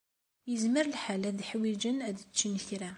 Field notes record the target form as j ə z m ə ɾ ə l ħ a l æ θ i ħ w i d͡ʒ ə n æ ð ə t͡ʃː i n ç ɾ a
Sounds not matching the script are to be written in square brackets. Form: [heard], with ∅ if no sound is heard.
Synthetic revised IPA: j ə z m ə ɾ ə l ħ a l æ [ð] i ħ w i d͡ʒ ə n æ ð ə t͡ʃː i n ç ɾ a